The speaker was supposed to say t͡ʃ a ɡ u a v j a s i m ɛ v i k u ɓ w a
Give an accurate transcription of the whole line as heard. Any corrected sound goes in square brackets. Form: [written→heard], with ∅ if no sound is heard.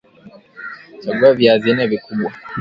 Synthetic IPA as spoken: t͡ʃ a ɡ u a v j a [s→z] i [m→n] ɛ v i k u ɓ w a